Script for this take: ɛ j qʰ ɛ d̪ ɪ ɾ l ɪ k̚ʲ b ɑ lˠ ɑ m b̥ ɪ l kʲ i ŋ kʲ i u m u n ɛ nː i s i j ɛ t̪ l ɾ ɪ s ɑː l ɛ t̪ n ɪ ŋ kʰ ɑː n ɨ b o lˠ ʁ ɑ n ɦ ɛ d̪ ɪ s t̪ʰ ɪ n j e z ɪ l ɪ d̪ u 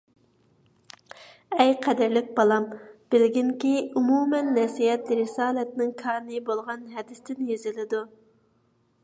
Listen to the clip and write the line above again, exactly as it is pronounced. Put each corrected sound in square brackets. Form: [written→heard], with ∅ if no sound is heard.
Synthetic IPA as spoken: ɛ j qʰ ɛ d̪ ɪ ɾ l ɪ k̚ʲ b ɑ lˠ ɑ m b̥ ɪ l [kʲ→ɡʲ] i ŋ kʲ i u m u [n→m] ɛ nː [i→ɛ] s i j ɛ t̪ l ɾ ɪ s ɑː l ɛ t̪ n ɪ ŋ kʰ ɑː n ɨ b o lˠ ʁ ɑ n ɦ ɛ d̪ ɪ s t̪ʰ ɪ n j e z ɪ l ɪ d̪ u

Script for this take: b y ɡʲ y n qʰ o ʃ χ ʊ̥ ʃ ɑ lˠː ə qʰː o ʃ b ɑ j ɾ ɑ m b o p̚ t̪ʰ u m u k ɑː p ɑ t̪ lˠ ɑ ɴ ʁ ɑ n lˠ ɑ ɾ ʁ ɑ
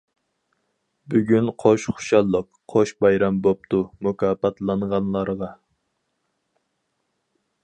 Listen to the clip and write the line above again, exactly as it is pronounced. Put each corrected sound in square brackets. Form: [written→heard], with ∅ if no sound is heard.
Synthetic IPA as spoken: b y ɡʲ y n qʰ o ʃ χ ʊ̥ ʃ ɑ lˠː ə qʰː o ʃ b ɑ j ɾ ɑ m b o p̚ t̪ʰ u m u k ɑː p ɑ t̪ lˠ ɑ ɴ ʁ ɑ n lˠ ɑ ɾ ʁ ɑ

